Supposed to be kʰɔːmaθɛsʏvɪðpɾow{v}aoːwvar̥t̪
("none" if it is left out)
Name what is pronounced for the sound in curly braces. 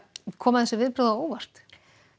ð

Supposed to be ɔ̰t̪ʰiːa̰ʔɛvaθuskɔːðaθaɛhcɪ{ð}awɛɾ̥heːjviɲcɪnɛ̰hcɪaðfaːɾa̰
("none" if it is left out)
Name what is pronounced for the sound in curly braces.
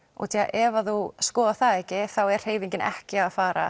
θ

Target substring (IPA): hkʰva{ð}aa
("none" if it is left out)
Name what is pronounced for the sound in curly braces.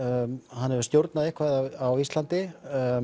ð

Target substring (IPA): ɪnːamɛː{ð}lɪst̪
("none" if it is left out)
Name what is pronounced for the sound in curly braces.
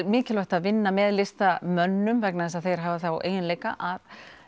ð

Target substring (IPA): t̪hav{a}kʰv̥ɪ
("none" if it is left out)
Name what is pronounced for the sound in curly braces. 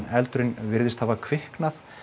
a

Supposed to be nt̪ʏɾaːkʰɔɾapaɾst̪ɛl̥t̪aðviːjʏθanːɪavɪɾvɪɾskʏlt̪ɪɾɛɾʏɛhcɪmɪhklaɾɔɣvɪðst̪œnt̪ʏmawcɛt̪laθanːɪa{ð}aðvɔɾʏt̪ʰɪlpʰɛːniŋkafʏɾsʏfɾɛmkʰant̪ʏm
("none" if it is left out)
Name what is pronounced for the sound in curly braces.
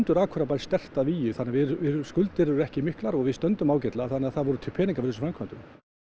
θ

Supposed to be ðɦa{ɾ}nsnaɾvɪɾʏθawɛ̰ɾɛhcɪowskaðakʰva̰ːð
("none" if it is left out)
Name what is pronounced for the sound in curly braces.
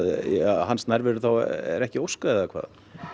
none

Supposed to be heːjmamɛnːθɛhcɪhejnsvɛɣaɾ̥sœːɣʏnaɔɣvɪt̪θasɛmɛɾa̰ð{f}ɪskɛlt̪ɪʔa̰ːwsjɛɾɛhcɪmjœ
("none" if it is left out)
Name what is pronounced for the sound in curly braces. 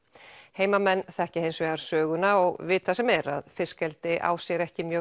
f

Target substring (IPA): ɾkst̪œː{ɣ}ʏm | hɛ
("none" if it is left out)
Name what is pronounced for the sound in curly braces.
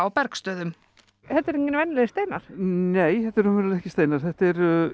ð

